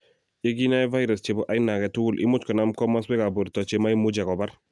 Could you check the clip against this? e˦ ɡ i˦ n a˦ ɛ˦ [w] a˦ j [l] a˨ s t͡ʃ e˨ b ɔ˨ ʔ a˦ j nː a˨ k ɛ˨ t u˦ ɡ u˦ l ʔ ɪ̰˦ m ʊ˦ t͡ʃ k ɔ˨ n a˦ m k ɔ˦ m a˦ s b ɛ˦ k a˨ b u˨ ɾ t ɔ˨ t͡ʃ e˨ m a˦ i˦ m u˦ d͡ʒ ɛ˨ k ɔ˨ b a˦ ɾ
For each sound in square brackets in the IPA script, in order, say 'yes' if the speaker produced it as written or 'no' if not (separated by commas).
no, no